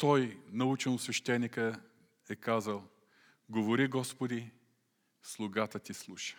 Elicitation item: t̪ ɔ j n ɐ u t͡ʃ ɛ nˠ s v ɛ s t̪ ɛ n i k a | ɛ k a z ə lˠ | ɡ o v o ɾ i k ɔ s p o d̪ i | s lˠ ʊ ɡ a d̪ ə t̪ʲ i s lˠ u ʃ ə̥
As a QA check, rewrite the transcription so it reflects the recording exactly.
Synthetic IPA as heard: t̪ ɔ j n ɐ u t͡ʃ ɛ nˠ s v ɛ ʃ t̪ ɛ n i k ə | ɛ k a z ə lˠ | ɡ o v o ɾ i ɡ ɔ s p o d̪ i | s lˠ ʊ ɡ a t̪ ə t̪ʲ i s lˠ u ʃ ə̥